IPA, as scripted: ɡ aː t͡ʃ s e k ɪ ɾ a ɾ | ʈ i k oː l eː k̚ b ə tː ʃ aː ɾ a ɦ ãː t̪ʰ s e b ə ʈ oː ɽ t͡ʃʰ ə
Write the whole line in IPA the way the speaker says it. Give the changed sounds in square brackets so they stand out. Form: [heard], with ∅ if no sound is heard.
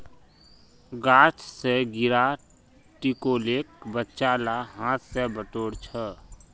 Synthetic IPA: ɡ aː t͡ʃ s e [ɡ] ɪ ɾ a [∅] | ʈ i k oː l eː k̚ b ə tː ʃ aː [l] a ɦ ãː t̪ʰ s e b ə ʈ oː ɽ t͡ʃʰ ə